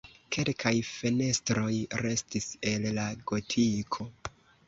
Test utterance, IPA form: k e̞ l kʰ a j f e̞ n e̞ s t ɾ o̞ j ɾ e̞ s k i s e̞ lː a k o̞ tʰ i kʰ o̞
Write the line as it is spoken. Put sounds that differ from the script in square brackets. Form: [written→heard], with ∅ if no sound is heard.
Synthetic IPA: k e̞ l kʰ a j f e̞ n e̞ s t ɾ o̞ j ɾ e̞ s [k→t] i s e̞ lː a [k→ɡ] o̞ tʰ i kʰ o̞